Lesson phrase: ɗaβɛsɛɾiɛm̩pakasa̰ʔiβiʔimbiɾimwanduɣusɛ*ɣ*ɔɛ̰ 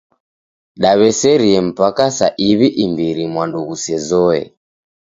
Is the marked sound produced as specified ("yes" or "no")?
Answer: no